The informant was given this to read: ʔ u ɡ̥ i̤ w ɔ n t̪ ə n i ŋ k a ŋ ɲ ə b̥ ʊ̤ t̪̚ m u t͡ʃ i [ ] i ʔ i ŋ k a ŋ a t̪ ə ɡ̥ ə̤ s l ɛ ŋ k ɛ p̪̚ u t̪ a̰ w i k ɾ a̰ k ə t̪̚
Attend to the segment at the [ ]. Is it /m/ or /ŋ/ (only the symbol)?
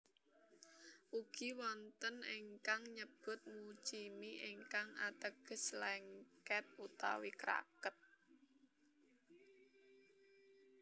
m